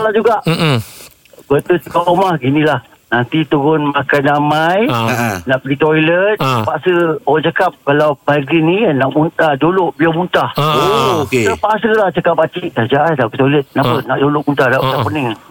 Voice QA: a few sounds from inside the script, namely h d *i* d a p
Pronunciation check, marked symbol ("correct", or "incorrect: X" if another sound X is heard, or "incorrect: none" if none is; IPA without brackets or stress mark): incorrect: a